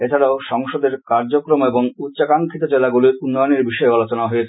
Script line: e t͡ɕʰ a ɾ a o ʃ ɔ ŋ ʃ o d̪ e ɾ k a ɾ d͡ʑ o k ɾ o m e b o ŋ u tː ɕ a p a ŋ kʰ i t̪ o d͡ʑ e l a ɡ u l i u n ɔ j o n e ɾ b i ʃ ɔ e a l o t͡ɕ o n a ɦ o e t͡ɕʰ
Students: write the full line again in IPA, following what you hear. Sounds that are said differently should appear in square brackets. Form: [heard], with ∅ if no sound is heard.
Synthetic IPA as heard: e t͡ɕʰ a ɾ a o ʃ ɔ ŋ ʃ o d̪ e ɾ k a ɾ d͡ʑ o k ɾ o m e b o ŋ u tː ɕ a [k] a ŋ kʰ i t̪ o d͡ʑ e l a ɡ u l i u [nː] ɔ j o n e ɾ b i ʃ ɔ e a l o t͡ɕ o n a ɦ o e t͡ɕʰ